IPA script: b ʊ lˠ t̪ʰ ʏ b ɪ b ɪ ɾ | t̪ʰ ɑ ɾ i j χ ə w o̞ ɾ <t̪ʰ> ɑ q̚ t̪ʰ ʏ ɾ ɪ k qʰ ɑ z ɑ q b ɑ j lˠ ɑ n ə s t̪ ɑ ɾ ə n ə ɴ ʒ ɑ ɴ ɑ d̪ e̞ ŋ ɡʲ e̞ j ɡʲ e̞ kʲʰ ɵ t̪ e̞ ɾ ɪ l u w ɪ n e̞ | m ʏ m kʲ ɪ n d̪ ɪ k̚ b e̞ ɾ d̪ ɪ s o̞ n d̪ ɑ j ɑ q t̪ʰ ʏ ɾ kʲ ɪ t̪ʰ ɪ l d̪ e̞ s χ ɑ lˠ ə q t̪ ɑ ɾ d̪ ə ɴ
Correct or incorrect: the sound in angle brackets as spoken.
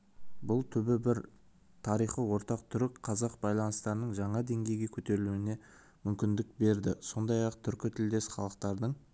incorrect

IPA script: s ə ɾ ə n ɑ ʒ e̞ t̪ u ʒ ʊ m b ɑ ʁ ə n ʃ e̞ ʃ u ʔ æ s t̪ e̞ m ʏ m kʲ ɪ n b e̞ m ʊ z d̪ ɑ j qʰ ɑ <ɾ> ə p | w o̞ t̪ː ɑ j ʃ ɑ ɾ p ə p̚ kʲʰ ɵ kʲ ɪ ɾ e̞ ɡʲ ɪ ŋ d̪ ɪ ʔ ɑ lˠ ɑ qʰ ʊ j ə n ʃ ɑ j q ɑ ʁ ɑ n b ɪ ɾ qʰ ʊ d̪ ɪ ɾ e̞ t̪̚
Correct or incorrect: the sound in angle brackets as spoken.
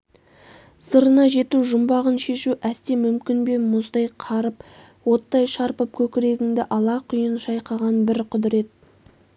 correct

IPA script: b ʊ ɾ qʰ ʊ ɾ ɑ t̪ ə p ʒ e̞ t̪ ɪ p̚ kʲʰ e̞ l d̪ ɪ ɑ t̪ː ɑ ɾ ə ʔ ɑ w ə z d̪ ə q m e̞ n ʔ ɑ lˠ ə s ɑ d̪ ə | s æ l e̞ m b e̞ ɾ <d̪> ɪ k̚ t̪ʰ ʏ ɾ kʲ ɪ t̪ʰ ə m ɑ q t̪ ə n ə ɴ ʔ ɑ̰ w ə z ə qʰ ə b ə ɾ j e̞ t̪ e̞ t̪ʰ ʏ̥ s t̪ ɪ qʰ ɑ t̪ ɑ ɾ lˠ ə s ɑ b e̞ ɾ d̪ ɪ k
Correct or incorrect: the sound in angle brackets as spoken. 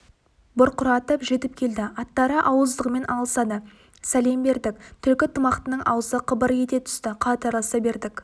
correct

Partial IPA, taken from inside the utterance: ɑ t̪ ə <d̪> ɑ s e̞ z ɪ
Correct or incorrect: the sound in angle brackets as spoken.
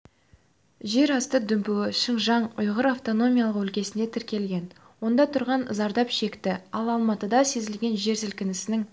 correct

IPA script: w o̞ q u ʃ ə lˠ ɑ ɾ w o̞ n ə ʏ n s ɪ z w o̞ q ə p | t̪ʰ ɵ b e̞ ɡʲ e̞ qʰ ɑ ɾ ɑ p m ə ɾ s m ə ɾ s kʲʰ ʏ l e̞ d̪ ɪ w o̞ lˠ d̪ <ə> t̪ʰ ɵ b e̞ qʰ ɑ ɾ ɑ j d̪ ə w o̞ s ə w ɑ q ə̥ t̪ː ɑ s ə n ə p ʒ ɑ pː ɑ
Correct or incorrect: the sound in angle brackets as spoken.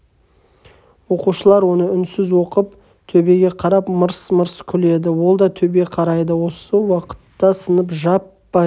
incorrect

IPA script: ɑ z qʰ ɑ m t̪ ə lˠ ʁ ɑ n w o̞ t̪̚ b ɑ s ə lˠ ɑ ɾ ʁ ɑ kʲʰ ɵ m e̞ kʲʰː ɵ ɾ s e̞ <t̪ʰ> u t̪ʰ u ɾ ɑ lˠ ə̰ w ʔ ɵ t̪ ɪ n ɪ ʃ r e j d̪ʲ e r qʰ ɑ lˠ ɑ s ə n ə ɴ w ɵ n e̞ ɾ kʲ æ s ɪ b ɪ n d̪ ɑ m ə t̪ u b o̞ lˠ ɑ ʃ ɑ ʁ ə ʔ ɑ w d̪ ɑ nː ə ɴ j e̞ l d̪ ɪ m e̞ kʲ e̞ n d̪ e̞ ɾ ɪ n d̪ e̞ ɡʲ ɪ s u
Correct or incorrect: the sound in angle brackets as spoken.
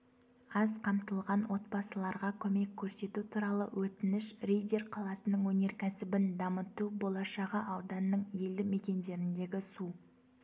incorrect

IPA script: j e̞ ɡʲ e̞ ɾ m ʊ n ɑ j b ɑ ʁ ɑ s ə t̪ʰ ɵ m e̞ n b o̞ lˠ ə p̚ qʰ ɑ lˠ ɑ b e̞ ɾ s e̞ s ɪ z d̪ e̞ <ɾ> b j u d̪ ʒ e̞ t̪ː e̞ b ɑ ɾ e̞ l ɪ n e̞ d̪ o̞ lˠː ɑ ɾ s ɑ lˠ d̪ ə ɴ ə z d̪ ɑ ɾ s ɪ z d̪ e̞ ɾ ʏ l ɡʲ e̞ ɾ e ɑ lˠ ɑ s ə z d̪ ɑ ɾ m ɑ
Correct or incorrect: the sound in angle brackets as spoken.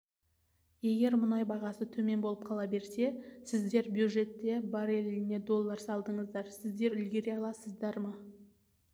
correct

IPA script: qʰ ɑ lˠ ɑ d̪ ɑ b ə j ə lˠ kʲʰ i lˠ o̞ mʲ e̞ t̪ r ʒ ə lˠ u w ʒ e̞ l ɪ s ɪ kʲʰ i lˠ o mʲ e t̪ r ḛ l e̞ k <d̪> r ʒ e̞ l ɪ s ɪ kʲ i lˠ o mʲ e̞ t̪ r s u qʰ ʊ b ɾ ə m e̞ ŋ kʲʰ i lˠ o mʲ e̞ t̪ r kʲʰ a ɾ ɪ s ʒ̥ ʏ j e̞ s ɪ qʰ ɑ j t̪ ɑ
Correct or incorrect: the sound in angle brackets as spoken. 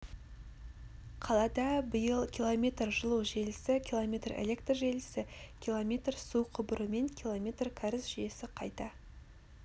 incorrect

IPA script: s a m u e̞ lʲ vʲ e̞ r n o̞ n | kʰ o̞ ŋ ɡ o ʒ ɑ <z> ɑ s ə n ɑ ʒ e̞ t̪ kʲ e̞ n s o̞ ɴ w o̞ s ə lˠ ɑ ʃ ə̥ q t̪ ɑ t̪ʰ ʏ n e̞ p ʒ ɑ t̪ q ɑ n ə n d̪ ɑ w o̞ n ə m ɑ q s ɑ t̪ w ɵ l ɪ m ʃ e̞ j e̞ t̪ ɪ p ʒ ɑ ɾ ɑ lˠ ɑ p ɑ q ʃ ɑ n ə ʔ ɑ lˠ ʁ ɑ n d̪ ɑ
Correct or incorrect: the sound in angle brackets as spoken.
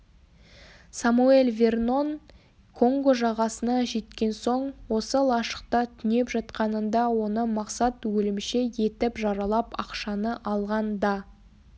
incorrect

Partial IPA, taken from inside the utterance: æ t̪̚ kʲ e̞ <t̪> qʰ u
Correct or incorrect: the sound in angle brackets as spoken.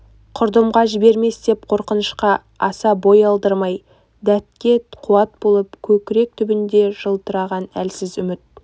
correct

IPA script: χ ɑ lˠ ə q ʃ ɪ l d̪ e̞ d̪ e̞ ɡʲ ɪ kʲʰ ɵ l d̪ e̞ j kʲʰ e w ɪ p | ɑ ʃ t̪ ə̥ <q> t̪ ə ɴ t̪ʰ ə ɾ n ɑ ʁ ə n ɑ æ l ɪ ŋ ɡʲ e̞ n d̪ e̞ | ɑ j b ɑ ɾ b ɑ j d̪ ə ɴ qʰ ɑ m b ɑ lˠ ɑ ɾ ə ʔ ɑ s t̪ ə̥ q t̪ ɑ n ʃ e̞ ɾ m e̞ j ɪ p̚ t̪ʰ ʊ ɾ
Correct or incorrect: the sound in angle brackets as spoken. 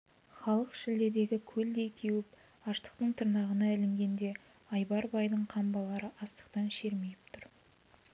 correct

